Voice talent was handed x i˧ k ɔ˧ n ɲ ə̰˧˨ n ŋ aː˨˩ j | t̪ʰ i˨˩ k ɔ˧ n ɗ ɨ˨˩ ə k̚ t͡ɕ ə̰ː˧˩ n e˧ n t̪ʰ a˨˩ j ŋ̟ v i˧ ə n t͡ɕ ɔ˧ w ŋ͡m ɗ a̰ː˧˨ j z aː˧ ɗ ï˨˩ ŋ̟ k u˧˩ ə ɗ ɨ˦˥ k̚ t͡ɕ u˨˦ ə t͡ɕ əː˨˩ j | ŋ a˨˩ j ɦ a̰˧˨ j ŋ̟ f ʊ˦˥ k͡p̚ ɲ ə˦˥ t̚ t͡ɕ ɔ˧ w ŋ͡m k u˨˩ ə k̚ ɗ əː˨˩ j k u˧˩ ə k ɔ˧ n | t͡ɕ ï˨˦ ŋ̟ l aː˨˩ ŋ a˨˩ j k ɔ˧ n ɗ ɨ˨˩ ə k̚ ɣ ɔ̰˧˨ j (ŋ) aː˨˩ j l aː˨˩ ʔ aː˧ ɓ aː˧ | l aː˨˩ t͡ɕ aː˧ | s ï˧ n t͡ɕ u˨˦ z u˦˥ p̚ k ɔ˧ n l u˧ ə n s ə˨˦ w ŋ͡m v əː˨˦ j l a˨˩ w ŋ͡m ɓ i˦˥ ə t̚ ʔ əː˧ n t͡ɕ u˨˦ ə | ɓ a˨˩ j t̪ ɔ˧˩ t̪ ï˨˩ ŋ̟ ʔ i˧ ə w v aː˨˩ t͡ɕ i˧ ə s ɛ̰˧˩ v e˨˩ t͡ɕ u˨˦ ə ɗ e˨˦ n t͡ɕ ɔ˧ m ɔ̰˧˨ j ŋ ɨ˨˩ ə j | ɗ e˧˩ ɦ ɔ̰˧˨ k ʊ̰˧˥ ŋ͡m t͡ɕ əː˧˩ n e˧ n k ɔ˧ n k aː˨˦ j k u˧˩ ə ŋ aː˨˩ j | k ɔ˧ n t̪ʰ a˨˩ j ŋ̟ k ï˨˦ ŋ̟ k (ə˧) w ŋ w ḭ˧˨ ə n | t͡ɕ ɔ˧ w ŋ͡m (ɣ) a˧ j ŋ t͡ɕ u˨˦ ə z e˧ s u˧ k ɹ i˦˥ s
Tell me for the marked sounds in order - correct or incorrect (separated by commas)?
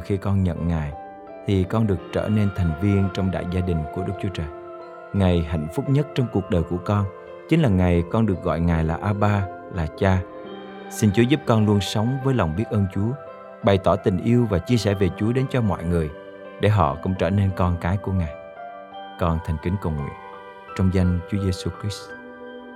correct, incorrect, incorrect